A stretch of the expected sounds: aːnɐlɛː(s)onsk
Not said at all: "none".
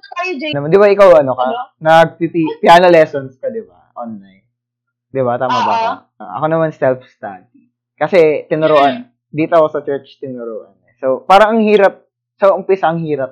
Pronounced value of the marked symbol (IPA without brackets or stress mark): s